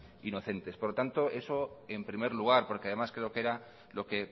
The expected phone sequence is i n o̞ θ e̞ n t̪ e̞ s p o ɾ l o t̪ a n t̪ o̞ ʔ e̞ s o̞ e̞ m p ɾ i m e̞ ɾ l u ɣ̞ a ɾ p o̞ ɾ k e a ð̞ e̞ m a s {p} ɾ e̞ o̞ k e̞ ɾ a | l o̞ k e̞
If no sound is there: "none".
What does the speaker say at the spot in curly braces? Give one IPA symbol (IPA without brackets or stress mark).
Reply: k